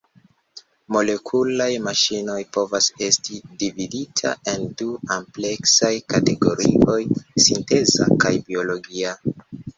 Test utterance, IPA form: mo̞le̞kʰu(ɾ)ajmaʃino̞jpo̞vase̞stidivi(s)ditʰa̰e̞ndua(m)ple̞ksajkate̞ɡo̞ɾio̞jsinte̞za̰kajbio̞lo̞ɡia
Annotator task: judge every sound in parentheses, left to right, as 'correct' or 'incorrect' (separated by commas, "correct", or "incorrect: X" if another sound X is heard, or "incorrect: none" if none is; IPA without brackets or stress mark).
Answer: incorrect: l, incorrect: none, correct